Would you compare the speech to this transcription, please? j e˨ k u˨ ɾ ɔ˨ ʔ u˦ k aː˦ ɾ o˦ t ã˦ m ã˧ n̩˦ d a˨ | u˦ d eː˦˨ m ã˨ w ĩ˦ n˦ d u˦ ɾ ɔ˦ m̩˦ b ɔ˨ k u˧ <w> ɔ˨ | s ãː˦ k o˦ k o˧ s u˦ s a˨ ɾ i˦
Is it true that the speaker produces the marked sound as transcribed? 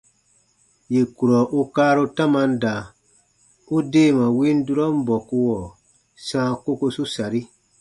yes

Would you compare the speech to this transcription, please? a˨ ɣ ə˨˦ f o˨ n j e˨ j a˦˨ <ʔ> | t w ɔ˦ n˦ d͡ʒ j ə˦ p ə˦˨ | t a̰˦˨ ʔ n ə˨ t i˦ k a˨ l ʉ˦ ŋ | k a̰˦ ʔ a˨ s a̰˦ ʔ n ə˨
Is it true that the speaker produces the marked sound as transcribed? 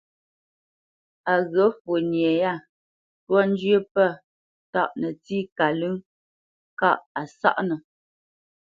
no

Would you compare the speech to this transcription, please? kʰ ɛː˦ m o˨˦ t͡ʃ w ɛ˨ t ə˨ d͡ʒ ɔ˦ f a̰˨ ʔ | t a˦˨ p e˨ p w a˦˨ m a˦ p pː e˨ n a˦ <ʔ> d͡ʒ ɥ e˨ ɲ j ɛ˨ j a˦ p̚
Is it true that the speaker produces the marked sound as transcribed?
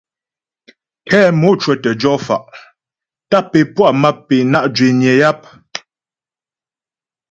yes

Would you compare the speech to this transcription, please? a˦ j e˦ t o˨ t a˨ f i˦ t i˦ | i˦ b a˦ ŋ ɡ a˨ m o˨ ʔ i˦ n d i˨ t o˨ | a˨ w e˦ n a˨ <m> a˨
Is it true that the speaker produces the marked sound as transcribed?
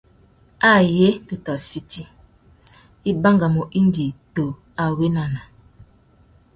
no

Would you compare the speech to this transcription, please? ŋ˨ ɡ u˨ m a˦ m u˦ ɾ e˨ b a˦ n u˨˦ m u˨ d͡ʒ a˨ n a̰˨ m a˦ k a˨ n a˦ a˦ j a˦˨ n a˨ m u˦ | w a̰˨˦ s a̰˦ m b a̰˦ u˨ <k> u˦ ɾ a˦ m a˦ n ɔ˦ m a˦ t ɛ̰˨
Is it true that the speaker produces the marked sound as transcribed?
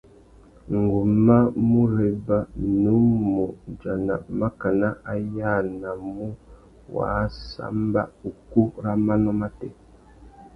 yes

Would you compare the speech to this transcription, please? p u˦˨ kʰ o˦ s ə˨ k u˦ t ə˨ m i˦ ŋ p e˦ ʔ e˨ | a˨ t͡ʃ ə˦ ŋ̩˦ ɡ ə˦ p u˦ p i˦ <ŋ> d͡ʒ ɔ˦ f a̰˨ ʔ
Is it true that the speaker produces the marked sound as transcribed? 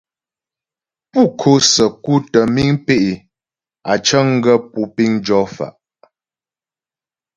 yes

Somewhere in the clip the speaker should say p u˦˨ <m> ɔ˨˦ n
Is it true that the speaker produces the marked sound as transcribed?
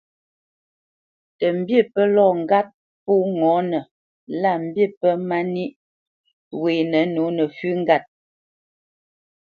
no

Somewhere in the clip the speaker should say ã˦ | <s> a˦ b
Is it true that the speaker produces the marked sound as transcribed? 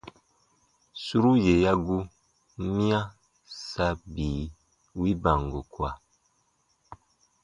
yes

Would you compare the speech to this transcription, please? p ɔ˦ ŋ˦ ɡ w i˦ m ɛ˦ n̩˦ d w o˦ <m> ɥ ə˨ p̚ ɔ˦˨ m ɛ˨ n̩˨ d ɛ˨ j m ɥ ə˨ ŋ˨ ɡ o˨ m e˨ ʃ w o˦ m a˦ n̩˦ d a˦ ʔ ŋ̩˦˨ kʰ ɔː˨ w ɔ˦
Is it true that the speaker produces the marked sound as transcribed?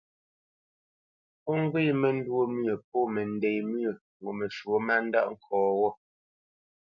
yes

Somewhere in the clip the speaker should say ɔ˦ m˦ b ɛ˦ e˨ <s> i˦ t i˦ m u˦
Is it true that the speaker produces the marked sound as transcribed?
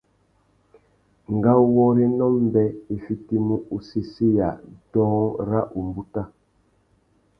no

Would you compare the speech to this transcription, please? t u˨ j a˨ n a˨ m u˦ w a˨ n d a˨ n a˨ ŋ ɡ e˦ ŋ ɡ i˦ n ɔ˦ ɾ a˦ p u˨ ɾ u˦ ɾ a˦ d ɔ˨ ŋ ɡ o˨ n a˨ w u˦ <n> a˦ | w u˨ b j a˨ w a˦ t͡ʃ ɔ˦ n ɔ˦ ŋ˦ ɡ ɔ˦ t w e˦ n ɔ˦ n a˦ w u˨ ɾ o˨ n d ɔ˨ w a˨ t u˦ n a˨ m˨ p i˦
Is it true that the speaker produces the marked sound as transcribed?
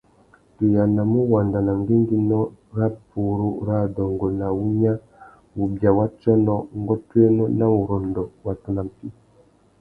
no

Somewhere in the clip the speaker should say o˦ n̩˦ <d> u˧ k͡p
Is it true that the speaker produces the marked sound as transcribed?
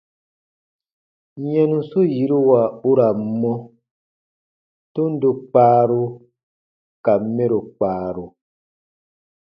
yes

